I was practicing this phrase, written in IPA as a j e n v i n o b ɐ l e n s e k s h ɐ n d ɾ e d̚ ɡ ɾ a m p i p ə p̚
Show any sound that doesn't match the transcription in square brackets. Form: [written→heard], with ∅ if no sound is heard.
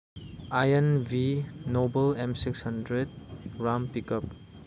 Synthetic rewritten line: a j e n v i n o b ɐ l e [n→m] s [e→i] k s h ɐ n d ɾ e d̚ ɡ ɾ a m p i [p→k] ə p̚

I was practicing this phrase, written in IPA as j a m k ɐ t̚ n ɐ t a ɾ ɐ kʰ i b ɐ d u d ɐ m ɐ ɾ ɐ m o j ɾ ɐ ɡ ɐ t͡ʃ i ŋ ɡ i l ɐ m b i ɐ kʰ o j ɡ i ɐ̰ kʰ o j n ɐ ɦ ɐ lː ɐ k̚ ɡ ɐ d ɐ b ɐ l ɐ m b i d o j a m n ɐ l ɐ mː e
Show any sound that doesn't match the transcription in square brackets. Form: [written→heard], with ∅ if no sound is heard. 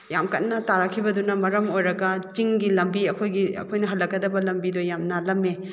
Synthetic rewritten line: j a m k ɐ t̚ n ɐ t a ɾ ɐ kʰ i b ɐ d u [d→n] ɐ m ɐ ɾ ɐ m o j ɾ ɐ ɡ ɐ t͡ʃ i ŋ ɡ i l ɐ m b i ɐ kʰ o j ɡ i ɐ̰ kʰ o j n ɐ ɦ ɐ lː ɐ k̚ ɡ ɐ d ɐ b ɐ l ɐ m b i d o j a m n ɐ l ɐ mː e

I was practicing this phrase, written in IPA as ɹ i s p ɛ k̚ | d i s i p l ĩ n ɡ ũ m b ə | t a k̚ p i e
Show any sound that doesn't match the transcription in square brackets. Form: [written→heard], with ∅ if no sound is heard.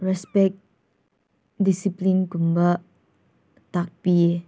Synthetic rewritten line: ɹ [i→ɛ] s p ɛ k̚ | d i s i p l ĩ n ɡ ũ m b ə | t a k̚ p i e

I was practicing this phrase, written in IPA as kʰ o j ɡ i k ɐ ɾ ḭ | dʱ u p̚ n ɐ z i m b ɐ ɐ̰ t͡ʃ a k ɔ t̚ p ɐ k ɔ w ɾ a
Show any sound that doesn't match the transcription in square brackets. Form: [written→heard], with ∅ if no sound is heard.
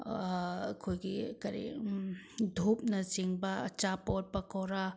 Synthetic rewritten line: kʰ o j ɡ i k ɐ ɾ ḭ | dʱ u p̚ n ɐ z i [m→ŋ] b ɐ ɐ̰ t͡ʃ a [k→p] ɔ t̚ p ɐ k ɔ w ɾ a

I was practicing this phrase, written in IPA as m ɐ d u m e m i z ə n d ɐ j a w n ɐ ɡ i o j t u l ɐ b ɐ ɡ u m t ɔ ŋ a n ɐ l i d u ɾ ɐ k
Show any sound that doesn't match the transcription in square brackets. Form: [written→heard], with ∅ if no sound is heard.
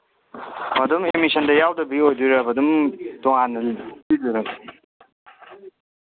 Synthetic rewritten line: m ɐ d u m e m i [z→s] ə n d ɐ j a w [n→d] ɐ [ɡ→b] i o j [t→d] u [l→ɾ] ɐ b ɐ [ɡ→d] u m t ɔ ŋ a n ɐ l i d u ɾ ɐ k

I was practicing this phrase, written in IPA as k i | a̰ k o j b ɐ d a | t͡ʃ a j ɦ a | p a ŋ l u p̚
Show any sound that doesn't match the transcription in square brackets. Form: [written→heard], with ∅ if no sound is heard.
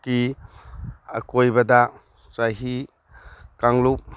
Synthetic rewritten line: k i | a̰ k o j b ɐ d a | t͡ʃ a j ɦ [a→i] | [p→k] a ŋ l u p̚

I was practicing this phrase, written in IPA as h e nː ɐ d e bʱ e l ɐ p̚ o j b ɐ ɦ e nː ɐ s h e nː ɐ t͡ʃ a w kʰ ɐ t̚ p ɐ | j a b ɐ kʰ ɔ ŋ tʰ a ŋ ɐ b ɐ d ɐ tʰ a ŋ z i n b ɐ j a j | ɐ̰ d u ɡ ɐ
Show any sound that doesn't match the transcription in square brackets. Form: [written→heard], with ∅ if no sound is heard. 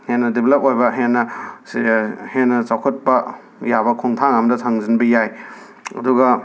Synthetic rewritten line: h e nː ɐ d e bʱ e l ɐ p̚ o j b ɐ ɦ e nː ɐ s h e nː ɐ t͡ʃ a w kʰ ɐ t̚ p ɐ | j a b ɐ kʰ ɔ ŋ tʰ a ŋ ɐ [b→m] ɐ d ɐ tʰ a ŋ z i n b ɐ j a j | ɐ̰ d u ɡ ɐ

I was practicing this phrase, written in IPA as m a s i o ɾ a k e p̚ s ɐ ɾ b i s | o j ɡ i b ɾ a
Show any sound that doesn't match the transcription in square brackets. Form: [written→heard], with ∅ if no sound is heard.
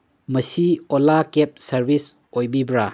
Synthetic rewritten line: m [a→ɐ] s i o [ɾ→l] a k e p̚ s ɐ ɾ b i s | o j [ɡ→b] i b ɾ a

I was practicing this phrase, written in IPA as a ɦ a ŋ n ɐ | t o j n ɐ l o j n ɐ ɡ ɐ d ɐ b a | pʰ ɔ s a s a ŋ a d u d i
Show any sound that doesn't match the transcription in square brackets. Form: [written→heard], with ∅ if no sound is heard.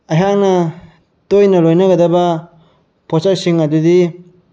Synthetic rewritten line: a ɦ a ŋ n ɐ | t o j n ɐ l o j n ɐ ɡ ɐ d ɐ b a | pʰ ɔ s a s [a→i] ŋ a d u d i

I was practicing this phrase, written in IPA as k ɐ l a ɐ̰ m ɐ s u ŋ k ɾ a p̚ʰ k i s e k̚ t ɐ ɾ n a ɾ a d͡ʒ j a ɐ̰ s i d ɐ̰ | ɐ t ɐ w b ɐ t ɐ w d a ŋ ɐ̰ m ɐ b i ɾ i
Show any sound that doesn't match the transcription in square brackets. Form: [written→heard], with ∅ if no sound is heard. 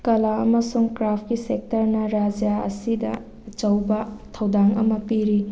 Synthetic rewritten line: k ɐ l a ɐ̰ m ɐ s u ŋ k ɾ a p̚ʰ k i s e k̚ t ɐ ɾ n [a→ɐ] ɾ a d͡ʒ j a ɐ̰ s i d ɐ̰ | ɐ [t→t͡ʃ] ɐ w b ɐ [t→tʰ] ɐ w d a ŋ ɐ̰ m ɐ [b→p] i ɾ i

